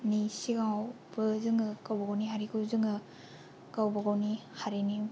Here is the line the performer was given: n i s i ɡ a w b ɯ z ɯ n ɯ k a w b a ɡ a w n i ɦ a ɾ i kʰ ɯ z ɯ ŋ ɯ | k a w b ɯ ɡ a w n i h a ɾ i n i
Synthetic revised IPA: n i s i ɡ a w b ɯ z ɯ ŋ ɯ k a w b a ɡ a w n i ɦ a ɾ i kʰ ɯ z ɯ ŋ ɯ | k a w b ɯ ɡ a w n i h a ɾ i n i